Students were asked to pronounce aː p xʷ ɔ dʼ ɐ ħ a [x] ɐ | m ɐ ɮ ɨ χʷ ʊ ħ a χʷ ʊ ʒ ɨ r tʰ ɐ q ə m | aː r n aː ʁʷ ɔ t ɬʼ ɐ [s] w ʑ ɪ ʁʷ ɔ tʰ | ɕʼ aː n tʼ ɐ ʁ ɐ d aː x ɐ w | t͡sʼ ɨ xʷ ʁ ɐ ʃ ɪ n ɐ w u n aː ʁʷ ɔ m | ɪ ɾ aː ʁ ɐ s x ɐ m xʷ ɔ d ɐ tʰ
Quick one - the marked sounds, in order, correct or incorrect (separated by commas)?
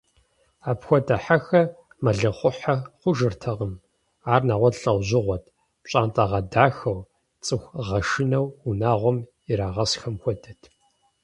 correct, incorrect